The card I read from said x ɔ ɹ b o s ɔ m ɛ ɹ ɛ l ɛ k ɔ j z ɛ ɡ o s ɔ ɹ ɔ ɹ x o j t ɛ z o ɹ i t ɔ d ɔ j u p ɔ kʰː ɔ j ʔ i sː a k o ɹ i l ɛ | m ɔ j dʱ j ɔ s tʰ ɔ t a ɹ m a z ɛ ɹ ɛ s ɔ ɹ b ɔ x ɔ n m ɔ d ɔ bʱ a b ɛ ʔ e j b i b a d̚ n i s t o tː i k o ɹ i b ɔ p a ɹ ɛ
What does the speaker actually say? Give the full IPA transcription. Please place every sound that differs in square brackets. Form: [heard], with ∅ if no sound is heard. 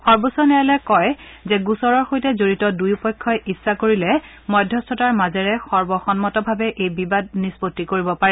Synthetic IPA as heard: x ɔ ɹ b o s ɔ [n] ɛ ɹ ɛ l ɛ k ɔ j z ɛ ɡ [u] s ɔ ɹ ɔ ɹ x o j t ɛ z o ɹ i t ɔ d [u] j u p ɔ kʰː ɔ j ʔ i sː a k o ɹ i l ɛ | m ɔ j dʱ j ɔ s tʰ ɔ t a ɹ m a z ɛ ɹ ɛ [x] ɔ ɹ b ɔ x ɔ n m ɔ [t] ɔ bʱ a b ɛ ʔ e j b i b a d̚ n i s [p] o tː i k o ɹ i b ɔ p a ɹ ɛ